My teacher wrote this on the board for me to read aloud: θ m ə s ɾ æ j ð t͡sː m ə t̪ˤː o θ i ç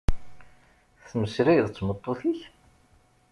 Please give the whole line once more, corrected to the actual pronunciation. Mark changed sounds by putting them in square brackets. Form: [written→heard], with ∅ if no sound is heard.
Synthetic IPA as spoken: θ m ə s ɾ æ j ð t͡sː m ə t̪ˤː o θ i ç